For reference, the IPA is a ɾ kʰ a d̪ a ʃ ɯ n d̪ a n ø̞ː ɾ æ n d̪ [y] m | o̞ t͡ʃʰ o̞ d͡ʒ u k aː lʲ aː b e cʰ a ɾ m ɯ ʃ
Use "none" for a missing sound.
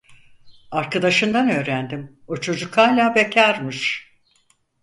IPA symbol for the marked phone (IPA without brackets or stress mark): i